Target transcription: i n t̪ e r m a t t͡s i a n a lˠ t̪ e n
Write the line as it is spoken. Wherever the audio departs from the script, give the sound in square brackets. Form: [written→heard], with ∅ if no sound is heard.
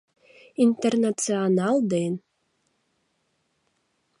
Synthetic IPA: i n t̪ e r [m→n] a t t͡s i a n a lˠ [t̪→d̪] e n